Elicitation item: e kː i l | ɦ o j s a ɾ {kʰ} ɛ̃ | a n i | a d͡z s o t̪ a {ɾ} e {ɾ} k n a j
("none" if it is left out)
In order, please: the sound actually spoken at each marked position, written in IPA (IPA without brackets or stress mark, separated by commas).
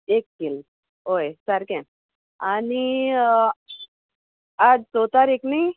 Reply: k, ɾ, none